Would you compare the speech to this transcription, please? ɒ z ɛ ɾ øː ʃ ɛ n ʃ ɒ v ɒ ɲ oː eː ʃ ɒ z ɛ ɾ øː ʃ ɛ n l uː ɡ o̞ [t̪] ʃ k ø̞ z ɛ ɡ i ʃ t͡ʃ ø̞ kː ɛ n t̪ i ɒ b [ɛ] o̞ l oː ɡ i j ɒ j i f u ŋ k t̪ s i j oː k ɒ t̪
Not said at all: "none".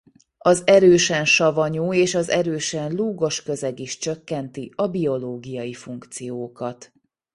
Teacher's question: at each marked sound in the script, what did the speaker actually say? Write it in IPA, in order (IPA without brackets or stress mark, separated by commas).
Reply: none, i